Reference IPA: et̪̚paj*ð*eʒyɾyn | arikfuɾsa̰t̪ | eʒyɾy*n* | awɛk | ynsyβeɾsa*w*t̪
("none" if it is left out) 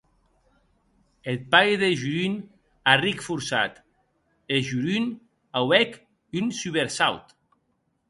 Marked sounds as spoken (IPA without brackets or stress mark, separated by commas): ð, n, w